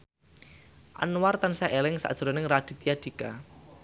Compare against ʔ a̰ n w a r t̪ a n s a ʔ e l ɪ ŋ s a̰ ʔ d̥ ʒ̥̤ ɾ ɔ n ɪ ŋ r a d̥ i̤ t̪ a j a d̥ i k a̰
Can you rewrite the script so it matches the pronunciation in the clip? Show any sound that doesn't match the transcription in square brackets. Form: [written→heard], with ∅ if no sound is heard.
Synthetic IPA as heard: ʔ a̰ n w a r t̪ a n s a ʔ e l ɪ ŋ s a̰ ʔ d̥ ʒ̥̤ ɾ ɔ n ɪ ŋ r a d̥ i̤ t̪ [a→i] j a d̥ i k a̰

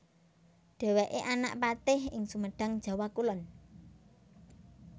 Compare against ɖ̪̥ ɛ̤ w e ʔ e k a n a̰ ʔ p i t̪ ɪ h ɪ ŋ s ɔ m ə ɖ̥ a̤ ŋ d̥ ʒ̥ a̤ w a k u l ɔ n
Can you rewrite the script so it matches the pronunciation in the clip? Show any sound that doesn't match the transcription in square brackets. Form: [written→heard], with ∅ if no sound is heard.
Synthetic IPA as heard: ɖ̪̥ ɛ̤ w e ʔ e [k→ʔ] a n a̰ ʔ p [i→a] t̪ ɪ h ɪ ŋ s [ɔ→u] m ə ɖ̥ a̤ ŋ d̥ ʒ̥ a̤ w a k u l ɔ n

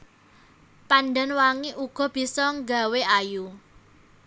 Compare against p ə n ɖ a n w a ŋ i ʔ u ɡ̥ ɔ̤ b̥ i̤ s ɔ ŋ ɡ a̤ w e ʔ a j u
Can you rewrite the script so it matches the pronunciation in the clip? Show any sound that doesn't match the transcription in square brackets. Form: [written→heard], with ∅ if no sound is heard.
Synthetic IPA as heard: p [ə→a] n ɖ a n w a ŋ i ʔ u ɡ̥ ɔ̤ b̥ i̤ s ɔ ŋ ɡ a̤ w e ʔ a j u

